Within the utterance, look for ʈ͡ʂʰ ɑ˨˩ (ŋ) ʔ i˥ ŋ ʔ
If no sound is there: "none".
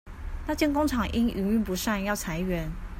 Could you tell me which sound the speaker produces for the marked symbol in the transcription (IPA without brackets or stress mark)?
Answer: ŋ